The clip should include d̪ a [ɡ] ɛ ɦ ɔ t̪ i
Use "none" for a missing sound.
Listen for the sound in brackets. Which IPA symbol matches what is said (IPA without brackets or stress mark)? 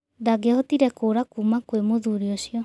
ɡ